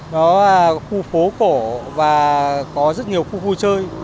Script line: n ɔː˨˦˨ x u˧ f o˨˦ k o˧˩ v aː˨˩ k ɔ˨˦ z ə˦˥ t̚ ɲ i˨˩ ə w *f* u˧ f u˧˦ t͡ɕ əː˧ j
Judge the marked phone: incorrect: x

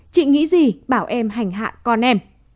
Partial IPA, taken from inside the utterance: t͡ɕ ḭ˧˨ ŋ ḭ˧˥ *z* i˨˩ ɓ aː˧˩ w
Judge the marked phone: correct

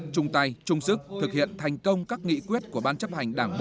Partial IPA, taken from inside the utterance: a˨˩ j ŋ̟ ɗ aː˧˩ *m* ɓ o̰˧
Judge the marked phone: incorrect: ŋ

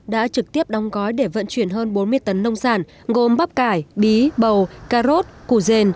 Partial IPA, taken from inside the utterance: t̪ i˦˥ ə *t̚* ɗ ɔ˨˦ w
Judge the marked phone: incorrect: p̚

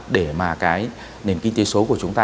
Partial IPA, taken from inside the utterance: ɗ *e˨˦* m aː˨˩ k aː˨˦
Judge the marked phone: incorrect: e˧˩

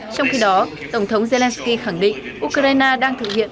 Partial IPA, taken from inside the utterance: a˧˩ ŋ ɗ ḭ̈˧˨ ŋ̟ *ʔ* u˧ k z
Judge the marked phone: correct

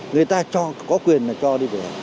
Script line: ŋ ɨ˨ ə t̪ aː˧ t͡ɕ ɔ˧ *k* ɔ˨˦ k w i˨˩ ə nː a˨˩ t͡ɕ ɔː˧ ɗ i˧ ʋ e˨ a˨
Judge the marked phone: correct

